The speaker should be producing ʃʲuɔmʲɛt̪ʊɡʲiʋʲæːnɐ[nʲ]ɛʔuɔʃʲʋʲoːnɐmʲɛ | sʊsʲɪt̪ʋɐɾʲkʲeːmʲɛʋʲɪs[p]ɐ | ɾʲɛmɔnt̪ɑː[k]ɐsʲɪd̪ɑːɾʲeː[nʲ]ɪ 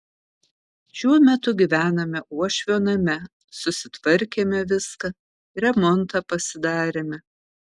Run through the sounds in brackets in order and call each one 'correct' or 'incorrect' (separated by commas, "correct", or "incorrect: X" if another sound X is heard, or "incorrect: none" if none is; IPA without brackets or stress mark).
incorrect: mʲ, incorrect: k, incorrect: p, incorrect: mʲ